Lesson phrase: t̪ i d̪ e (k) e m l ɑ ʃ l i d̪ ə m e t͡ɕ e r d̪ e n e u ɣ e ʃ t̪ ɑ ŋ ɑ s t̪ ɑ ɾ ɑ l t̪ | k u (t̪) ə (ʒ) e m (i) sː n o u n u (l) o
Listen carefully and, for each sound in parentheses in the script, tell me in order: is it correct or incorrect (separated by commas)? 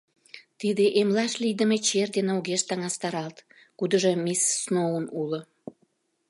incorrect, incorrect, correct, correct, correct